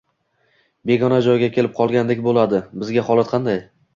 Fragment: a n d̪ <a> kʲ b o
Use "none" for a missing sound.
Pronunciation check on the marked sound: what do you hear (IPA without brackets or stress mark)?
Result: e